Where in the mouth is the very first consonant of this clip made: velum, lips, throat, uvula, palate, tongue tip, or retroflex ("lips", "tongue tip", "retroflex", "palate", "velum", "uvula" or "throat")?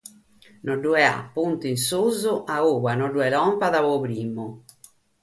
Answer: tongue tip